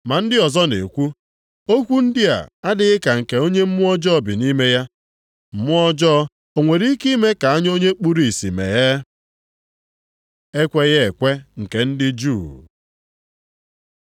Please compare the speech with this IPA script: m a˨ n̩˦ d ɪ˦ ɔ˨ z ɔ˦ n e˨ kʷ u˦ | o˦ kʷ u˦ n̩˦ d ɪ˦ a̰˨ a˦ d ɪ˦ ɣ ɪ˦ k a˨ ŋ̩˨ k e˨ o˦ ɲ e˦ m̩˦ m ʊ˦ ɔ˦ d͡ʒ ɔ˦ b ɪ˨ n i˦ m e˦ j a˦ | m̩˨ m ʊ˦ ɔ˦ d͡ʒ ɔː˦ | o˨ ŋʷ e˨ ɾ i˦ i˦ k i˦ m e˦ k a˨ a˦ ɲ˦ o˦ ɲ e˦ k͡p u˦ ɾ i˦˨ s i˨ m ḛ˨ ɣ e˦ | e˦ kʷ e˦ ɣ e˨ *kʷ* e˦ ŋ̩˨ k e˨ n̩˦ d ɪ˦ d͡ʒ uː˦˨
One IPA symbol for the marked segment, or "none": kʷ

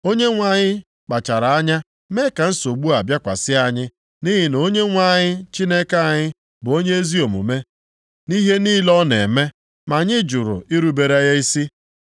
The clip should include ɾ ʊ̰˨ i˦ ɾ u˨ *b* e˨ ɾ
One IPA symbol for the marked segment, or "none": b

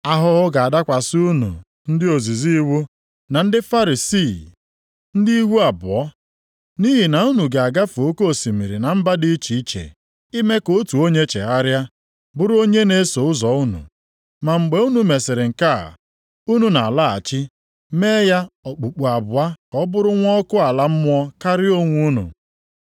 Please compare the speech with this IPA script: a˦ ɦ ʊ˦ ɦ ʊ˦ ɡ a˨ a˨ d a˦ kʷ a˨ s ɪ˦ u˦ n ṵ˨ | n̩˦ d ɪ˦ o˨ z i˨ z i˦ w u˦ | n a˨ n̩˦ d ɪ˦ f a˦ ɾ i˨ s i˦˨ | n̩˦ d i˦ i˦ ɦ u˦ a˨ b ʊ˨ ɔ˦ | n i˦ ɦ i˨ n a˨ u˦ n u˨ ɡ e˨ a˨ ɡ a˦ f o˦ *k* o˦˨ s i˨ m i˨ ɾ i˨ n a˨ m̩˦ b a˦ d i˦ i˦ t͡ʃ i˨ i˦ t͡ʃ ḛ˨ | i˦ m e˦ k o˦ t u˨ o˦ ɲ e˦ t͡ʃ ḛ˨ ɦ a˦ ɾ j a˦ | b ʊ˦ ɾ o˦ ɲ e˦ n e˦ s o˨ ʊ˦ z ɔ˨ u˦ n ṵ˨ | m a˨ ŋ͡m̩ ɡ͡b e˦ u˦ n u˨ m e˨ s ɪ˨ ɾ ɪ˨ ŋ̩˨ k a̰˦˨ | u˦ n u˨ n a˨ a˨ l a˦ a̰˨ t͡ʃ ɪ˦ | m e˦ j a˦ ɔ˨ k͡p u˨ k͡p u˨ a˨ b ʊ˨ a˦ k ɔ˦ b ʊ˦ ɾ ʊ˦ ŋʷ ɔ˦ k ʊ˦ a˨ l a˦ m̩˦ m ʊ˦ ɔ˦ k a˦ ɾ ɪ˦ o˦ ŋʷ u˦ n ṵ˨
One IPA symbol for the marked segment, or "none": k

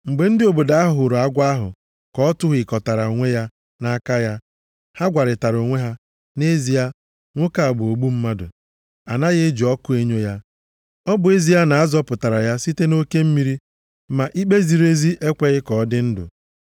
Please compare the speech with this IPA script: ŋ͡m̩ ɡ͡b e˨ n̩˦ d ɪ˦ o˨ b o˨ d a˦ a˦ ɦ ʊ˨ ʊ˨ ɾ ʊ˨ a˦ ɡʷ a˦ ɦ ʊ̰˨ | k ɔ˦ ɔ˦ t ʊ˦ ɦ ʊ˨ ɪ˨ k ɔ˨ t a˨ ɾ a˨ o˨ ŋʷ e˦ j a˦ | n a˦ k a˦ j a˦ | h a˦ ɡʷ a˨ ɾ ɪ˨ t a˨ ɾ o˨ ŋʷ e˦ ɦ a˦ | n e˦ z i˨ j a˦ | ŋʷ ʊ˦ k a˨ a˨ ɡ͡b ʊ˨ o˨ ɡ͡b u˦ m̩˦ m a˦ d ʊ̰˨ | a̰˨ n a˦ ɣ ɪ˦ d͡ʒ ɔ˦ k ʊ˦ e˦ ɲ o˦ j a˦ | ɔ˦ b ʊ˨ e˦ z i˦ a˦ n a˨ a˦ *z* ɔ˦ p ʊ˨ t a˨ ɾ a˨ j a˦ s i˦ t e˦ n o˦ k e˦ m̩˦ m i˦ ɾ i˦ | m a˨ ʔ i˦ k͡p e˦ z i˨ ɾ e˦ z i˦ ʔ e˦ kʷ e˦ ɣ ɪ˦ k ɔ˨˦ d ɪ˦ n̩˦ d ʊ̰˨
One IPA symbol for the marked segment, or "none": z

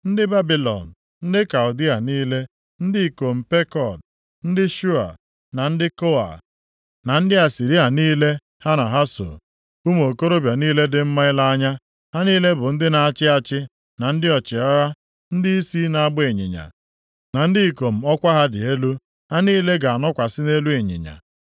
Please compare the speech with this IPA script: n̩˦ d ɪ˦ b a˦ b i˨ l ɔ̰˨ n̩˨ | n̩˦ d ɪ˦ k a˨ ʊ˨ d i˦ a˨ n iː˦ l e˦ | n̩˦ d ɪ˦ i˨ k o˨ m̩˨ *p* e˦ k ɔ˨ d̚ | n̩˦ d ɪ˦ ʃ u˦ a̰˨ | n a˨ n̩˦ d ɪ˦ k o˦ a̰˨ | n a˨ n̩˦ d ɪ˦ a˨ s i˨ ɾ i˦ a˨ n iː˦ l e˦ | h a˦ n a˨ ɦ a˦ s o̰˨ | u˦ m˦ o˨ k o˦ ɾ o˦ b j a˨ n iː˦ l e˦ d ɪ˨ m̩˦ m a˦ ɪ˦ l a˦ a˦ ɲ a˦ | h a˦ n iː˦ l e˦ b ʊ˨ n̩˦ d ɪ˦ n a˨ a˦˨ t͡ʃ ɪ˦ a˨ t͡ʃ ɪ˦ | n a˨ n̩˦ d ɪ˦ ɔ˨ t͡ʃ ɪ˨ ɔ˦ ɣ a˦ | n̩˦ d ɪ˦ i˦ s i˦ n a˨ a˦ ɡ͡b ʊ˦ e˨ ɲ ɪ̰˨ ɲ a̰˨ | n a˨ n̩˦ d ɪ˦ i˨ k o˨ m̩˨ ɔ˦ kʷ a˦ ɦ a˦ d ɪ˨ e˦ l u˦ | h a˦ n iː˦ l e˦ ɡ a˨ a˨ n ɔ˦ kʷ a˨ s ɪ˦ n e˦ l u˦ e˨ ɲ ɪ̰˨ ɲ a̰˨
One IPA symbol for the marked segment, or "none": p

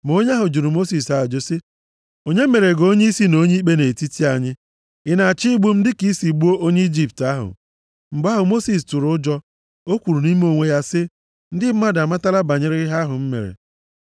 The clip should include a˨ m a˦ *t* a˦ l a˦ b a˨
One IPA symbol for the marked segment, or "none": t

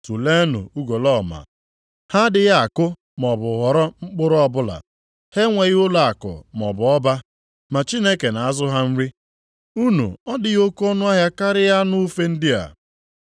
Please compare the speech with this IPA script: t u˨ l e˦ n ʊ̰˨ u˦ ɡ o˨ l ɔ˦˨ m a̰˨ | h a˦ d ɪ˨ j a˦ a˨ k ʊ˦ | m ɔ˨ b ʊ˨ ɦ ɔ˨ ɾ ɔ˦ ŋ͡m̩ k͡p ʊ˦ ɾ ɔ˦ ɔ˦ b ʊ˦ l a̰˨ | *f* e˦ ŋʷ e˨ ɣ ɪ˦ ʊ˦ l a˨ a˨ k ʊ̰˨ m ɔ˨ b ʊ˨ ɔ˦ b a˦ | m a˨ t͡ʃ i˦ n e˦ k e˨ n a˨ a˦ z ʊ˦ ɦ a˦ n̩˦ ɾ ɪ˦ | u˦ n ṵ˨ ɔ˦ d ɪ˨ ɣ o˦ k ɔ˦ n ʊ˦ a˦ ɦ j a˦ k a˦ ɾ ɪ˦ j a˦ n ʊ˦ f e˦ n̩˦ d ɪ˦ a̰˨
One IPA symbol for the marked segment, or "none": h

